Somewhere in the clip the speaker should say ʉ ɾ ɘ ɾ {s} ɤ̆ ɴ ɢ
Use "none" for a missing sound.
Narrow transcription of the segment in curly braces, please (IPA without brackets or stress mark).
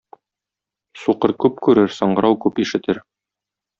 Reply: s